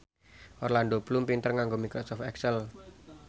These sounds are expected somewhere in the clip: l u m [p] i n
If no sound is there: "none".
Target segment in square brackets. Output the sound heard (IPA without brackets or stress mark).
p